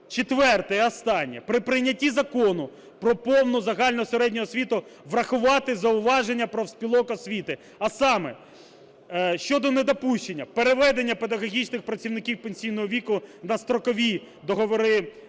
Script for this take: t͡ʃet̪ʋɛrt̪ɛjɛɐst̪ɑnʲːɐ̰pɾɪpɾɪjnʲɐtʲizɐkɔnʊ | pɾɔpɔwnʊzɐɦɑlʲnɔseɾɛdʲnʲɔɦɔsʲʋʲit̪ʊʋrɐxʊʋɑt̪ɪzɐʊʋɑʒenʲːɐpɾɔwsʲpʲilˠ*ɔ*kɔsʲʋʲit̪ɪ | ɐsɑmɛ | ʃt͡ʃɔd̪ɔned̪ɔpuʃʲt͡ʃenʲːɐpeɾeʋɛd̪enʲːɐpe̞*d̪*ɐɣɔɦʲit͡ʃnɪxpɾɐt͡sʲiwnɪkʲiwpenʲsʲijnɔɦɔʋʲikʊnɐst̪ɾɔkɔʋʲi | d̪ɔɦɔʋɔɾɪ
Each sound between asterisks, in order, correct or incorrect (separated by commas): correct, correct